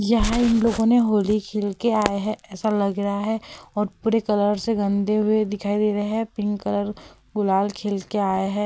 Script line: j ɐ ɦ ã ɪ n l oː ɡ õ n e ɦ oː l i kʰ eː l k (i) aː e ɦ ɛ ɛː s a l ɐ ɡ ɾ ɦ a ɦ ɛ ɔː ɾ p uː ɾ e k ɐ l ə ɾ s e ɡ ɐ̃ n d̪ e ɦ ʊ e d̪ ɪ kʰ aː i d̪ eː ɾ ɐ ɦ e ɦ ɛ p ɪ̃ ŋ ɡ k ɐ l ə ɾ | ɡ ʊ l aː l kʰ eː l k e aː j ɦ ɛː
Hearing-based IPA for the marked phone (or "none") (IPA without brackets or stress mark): e